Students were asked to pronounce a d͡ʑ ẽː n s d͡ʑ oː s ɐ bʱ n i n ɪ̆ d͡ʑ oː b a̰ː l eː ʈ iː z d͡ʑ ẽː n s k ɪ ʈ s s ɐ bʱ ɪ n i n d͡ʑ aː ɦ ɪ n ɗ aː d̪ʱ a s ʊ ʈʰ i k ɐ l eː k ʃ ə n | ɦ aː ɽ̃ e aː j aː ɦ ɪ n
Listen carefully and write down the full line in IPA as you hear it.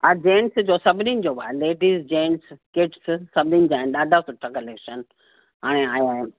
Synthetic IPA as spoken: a d͡ʑ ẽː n s d͡ʑ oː s ɐ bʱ n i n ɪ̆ d͡ʑ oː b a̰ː l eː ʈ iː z d͡ʑ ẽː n s k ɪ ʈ s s ɐ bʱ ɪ n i n d͡ʑ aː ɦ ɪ n ɗ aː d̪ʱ a s ʊ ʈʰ a k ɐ l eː k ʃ ə n | ɦ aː ɽ̃ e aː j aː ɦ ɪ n